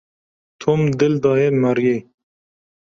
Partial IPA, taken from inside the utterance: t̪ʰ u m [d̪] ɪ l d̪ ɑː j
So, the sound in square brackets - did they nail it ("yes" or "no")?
yes